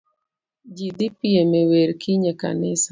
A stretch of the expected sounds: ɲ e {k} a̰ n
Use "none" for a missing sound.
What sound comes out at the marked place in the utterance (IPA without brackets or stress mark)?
k